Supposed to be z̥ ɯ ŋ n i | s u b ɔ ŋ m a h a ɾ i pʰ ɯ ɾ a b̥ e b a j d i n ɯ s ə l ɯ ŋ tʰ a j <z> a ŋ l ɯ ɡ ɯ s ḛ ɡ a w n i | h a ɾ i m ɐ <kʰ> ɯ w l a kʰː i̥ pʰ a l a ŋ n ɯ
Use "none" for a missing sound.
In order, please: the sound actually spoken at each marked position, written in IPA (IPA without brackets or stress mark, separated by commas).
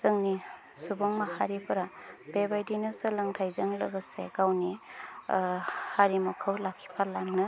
z, kʰ